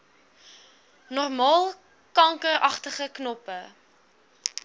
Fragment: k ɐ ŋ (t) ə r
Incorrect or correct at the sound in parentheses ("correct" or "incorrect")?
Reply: incorrect